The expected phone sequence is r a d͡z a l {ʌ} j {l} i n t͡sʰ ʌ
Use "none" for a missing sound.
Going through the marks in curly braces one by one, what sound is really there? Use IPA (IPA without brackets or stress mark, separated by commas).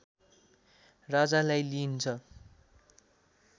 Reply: a, l